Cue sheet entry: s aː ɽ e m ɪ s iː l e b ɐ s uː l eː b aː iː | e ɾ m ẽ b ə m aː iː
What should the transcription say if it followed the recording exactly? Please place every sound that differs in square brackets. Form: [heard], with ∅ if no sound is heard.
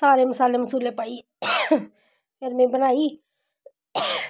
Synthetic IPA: s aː [ɾ] e m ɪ s [aː] l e [m] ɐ s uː l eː [p] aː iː | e ɾ m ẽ b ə [n] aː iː